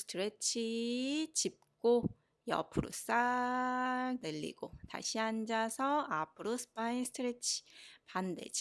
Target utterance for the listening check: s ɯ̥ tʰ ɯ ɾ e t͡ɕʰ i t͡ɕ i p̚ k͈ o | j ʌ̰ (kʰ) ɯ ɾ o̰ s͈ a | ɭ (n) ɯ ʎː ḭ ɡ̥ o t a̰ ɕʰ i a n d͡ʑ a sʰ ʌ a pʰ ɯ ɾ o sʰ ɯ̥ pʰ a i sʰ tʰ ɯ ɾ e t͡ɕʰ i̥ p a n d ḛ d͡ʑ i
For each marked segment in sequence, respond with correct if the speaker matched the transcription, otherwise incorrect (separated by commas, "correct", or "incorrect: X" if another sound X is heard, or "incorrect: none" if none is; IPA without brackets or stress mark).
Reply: incorrect: pʰ, correct